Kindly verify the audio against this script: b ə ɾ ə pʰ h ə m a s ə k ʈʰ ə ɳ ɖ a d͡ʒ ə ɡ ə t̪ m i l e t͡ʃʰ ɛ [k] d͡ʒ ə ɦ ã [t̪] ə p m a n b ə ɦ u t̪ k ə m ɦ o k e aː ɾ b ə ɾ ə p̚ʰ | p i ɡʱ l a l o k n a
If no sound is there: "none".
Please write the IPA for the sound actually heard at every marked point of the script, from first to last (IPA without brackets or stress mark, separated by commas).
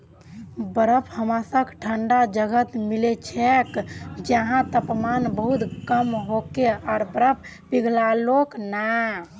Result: k, t̪